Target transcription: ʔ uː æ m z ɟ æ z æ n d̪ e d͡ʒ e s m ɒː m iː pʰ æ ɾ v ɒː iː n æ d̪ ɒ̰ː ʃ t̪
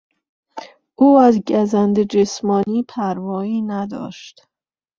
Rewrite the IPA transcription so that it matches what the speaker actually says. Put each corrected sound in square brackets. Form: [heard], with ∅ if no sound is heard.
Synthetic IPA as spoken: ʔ uː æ [∅] z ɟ æ z æ n d̪ e d͡ʒ e s m ɒː [n] iː pʰ æ ɾ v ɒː iː n æ d̪ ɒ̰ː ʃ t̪